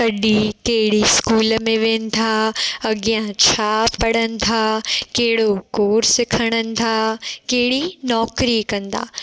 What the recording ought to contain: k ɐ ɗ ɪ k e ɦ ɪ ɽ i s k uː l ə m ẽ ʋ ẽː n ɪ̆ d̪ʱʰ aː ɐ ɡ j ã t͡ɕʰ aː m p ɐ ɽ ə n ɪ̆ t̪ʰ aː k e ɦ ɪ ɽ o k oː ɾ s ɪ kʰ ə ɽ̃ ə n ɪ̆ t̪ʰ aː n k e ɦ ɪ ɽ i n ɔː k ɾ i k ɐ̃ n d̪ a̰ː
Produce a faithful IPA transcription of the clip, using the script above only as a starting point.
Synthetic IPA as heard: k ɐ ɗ i k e ɦ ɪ ɽ i s k uː l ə m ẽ ʋ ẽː n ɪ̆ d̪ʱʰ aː ɐ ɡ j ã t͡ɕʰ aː p ɐ ɽ ə n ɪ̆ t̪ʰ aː k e ɦ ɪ ɽ o k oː ɾ s ɪ kʰ ə ɽ̃ ə n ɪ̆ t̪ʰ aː k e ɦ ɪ ɽ i n ɔː k ɾ i k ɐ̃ n d̪ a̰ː